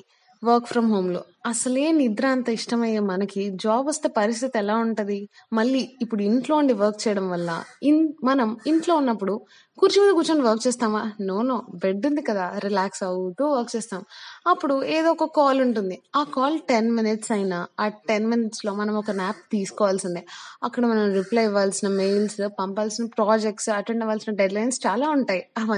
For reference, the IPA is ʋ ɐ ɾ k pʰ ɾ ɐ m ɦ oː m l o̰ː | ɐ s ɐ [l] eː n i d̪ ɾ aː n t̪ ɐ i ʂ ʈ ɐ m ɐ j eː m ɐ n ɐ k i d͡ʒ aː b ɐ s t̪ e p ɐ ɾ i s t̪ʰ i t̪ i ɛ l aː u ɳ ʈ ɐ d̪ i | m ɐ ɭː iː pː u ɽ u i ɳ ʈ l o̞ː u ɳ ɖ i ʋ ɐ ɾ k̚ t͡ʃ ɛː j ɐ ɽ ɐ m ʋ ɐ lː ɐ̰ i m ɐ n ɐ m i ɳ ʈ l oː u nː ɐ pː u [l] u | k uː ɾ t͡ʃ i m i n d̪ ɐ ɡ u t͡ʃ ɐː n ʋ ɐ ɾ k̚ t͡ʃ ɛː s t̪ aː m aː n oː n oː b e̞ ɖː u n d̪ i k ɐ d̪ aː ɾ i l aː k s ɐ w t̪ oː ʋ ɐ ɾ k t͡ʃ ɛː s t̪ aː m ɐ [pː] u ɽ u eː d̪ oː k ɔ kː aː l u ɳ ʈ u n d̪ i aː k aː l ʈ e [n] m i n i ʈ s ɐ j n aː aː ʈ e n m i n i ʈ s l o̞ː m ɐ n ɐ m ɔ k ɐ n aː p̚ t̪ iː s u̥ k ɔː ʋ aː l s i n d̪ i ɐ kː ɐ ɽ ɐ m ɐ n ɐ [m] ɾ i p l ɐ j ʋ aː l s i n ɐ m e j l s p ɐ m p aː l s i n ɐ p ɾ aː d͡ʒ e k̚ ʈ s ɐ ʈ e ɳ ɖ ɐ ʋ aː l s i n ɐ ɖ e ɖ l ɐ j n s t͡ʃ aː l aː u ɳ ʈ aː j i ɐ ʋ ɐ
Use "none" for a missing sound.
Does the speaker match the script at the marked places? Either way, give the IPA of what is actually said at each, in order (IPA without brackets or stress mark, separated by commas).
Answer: l, ɽ, pː, n, m